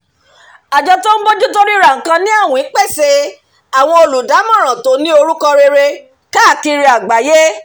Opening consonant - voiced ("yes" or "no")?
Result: yes